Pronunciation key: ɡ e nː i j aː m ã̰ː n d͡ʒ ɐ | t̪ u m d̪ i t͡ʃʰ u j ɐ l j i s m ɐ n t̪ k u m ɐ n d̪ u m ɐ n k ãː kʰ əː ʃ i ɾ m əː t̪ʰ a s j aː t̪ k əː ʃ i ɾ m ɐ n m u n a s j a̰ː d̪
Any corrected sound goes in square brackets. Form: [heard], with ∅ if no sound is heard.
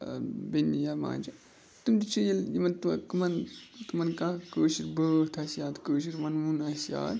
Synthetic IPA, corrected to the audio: [b] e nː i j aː m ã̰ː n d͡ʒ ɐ | t̪ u m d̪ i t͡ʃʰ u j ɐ l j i [∅] m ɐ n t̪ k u m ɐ n [t̪] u m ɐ n k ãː [k] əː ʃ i ɾ [b] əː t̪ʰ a s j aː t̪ k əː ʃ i ɾ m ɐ n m u n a s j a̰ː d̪